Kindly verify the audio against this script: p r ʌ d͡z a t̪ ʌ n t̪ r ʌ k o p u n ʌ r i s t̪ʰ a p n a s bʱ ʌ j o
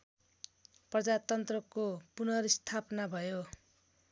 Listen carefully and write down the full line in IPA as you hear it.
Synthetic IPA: p r ʌ d͡z a t̪ ʌ n t̪ r ʌ k o p u n ʌ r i s t̪ʰ a p n a bʱ ʌ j o